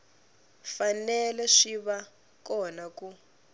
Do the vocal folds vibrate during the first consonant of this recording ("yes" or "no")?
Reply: no